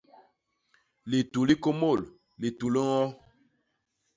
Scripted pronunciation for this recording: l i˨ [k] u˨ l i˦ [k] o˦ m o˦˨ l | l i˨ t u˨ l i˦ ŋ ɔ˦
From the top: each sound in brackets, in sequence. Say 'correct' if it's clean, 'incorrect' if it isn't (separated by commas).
incorrect, correct